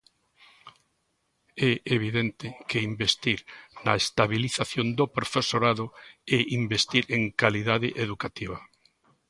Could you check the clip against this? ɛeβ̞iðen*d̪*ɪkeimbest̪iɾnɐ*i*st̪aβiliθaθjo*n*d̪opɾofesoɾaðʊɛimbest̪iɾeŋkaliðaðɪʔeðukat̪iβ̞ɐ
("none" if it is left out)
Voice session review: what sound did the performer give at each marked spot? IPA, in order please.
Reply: t̪, e, n

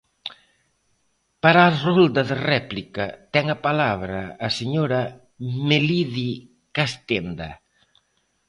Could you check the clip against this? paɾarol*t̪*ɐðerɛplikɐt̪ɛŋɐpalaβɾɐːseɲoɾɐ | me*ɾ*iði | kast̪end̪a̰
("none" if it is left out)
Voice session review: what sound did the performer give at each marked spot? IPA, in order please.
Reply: d̪, l

